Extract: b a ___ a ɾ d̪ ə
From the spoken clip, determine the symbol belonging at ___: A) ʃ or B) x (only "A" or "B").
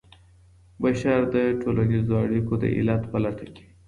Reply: A